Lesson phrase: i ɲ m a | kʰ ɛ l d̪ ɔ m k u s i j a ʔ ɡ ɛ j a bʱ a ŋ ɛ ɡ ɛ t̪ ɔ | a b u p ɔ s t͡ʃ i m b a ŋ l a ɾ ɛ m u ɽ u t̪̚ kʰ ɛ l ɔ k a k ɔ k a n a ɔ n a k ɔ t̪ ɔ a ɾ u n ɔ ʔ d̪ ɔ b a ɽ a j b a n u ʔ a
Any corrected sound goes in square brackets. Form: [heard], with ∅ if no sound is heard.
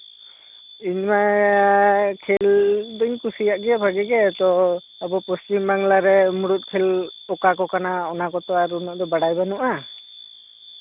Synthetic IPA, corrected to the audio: i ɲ m a | kʰ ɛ l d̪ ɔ [ɲ] k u s i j a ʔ ɡ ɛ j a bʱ a [ɡ] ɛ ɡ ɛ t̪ ɔ | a b [ɔ] p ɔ s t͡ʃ i m b a ŋ l a ɾ ɛ m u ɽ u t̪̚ kʰ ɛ l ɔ k a k ɔ k a n a ɔ n a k ɔ t̪ ɔ a ɾ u n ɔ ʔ d̪ ɔ b a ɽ a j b a n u ʔ a